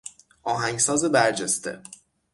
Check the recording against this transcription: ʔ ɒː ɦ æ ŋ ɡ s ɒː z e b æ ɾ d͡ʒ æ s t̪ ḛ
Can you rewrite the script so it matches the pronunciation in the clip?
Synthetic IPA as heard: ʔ ɒː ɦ æ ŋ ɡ s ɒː z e b æ ɾ d͡ʒ e s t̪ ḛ